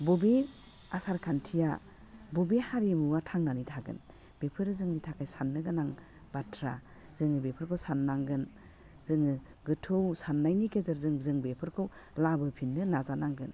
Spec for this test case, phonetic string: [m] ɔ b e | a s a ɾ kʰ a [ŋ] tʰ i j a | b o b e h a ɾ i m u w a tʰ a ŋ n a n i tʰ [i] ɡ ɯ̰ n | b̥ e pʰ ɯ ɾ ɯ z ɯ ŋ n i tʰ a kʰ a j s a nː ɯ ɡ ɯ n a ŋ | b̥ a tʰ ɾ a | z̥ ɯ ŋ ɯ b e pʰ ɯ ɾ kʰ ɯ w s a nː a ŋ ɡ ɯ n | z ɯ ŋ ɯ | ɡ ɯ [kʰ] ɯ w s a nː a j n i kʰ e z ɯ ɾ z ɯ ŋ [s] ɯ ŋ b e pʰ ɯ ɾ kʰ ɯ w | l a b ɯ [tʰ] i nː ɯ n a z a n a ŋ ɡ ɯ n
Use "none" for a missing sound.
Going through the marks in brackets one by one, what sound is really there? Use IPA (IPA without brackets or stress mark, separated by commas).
b, n, a, tʰ, z, pʰ